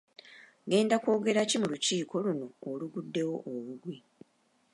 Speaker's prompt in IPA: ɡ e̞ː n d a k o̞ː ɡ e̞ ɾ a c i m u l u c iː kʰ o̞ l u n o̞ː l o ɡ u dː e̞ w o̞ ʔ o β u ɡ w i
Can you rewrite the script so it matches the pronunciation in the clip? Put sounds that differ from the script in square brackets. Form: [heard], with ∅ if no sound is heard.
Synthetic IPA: ɡ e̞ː n d a k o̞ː ɡ e̞ ɾ a c i m u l u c iː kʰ o̞ l u n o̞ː l [u] ɡ u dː e̞ w o̞ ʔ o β u ɡ w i

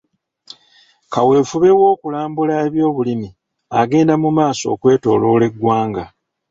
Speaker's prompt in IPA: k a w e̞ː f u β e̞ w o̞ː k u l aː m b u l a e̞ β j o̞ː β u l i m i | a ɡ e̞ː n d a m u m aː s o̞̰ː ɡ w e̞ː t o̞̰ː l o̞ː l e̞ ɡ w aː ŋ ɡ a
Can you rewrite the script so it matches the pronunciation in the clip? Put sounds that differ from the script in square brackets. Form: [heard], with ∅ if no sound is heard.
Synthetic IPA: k a w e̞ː f u β e̞ w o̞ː k u l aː m b u l a e̞ β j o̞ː β u l i m i | a ɡ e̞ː n d a m u m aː s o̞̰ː [k] w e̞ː t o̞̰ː l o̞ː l e̞ ɡ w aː ŋ ɡ a

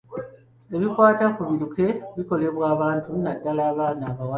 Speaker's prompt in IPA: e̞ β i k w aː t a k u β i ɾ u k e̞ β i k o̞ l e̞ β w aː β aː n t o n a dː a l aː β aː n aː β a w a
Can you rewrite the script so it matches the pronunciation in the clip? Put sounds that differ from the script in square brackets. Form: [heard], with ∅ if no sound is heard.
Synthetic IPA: e̞ β i k w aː t a k u β i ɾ u k e̞ β i k o̞ l e̞ β w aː β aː n t [u] n a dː a l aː β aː n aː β a w a

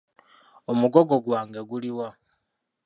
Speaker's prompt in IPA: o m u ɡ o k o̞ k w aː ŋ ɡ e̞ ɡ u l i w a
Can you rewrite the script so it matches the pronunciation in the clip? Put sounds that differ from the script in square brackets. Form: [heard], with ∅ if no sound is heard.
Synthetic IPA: o m u ɡ o [ɡ] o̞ [ɡ] w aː ŋ ɡ e̞ ɡ u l i w a

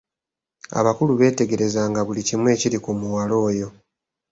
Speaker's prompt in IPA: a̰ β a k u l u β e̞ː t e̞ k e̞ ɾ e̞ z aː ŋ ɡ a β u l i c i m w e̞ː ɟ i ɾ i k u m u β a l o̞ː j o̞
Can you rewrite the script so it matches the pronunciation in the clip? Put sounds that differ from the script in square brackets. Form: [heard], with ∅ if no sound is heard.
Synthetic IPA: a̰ β a k u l u β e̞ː t e̞ [ɡ] e̞ ɾ e̞ z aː ŋ ɡ a β u l i c i m w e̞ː [c] i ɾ i k u m u [w] a l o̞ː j o̞

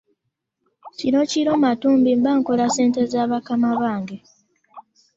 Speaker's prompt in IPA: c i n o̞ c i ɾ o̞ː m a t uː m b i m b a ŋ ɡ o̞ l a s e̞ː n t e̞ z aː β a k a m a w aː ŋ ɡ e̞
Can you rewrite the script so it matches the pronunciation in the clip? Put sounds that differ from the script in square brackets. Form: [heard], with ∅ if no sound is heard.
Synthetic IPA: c i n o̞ c i ɾ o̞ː m a t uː m b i m b a ŋ [k] o̞ l a s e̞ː n t e̞ z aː β a k a m a [β] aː ŋ ɡ e̞

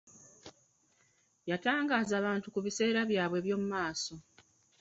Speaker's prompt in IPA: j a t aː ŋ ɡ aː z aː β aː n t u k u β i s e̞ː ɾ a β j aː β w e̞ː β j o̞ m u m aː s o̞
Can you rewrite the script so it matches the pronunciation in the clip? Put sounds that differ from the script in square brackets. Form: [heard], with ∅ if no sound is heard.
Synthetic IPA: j a t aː ŋ ɡ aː z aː β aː n t u k u β i s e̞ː ɾ a β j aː β w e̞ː β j o̞ m u m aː s o̞

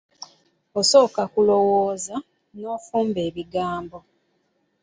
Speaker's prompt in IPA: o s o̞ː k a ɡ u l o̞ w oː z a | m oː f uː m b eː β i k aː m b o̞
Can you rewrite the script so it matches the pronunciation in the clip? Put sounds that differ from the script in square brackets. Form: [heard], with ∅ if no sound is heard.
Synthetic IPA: o s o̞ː k a [k] u l o̞ w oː z a | [n] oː f uː m b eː β i [ɡ] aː m b o̞

